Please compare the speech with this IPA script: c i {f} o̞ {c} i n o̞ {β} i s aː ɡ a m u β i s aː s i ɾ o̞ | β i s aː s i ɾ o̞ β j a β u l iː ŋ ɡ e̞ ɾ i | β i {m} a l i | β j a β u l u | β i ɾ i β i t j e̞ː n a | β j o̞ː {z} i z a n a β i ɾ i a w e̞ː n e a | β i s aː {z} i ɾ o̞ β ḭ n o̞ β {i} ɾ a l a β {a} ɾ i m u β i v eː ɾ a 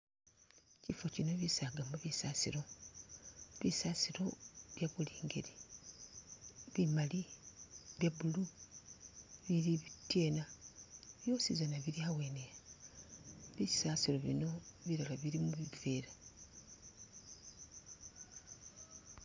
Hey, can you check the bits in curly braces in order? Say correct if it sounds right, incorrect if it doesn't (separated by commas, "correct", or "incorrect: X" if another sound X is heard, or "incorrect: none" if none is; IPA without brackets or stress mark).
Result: correct, correct, correct, correct, incorrect: s, incorrect: s, correct, incorrect: i